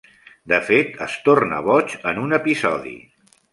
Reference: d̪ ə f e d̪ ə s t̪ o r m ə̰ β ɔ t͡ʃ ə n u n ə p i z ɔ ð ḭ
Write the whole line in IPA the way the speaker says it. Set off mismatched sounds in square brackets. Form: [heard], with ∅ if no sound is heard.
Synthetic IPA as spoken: d̪ ə f e [t̪] ə s t̪ o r [n] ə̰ β ɔ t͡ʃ ə n u n ə p i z ɔ ð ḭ